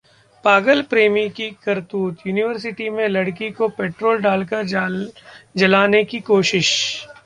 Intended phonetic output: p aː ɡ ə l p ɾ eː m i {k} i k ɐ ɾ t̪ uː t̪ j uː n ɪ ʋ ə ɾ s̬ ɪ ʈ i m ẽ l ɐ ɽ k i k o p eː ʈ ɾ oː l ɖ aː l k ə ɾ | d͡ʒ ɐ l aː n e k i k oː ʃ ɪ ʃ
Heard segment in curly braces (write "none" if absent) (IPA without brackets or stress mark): k